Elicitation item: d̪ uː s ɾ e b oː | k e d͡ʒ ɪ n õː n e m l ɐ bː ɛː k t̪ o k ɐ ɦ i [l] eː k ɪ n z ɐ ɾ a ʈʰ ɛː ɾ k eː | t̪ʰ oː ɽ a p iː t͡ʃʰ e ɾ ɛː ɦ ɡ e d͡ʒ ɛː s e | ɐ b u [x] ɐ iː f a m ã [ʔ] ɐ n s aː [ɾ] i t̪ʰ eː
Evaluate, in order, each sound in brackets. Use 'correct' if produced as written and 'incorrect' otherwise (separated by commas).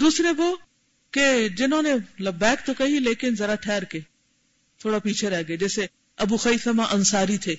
correct, correct, correct, correct